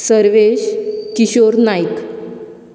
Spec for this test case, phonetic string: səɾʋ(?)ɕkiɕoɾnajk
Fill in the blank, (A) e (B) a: A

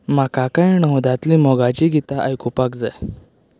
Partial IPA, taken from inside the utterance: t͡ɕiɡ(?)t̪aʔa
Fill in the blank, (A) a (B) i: B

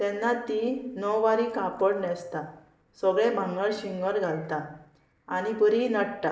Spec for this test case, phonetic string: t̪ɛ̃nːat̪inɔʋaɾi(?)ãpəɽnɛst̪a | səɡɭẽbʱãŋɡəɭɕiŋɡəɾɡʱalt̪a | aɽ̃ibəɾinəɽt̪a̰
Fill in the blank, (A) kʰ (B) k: B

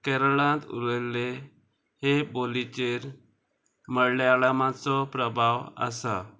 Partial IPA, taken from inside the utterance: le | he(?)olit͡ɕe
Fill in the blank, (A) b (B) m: A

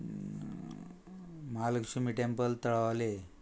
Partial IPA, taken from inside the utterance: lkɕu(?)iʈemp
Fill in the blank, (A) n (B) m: B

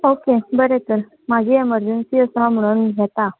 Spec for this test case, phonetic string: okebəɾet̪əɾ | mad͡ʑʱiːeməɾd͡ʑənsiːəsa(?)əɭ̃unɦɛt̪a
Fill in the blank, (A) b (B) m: B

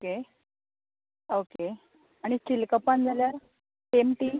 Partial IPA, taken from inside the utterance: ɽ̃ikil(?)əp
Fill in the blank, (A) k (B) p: A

